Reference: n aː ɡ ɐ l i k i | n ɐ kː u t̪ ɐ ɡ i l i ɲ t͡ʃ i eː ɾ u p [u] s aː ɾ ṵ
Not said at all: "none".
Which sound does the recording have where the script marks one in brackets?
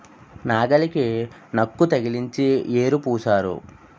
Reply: uː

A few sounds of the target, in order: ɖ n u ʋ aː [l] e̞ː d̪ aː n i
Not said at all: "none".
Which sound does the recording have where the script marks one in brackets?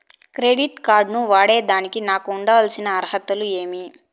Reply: ɽ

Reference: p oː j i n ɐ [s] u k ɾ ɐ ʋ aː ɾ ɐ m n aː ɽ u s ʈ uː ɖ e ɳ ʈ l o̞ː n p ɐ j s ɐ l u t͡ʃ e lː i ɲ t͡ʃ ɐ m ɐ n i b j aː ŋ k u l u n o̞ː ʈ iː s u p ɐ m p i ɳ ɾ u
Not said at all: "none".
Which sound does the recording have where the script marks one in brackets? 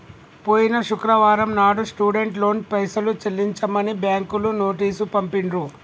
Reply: ʃ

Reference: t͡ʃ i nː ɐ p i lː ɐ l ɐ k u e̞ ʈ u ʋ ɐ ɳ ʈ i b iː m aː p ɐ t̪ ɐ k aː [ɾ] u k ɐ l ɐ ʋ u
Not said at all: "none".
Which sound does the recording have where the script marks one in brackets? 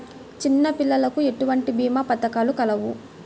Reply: l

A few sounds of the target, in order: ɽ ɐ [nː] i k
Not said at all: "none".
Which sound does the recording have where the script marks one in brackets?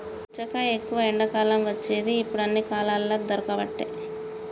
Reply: nː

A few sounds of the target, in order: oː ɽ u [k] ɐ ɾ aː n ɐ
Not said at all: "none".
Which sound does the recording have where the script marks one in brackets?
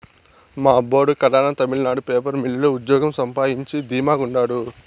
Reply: k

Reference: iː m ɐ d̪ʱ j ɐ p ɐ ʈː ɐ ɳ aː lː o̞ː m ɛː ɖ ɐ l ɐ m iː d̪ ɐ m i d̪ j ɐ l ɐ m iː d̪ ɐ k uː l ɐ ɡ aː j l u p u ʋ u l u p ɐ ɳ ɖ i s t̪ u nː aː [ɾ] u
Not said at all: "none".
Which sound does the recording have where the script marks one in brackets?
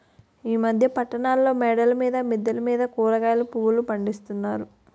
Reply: ɾ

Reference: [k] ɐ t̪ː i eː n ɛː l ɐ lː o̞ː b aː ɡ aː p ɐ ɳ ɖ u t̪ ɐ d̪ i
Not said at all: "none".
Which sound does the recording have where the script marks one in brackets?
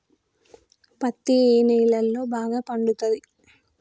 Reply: p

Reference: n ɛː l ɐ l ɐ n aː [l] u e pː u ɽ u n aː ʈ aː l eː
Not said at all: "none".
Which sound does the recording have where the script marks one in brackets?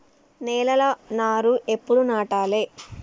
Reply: ɾ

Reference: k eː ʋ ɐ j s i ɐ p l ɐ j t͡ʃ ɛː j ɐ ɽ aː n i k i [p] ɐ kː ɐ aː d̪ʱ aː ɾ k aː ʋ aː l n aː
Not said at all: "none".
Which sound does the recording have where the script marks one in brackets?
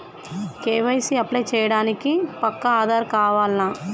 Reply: p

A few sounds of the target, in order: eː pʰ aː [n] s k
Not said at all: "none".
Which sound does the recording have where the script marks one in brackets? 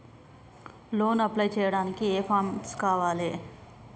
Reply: m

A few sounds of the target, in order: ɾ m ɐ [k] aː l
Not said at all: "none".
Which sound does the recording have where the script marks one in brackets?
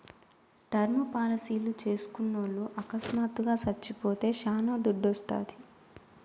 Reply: p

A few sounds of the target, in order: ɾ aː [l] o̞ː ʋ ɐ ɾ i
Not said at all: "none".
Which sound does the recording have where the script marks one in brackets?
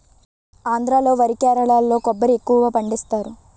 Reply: l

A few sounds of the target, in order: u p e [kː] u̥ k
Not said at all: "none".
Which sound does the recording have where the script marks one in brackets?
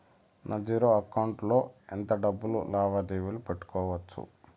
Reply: ʈː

